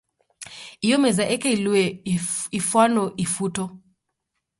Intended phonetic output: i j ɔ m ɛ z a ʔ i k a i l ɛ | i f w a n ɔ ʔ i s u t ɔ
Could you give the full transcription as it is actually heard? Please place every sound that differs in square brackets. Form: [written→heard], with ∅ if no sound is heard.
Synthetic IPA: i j ɔ m ɛ z a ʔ [i→ɛ] k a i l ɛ | i f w a n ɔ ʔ i [s→f] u t ɔ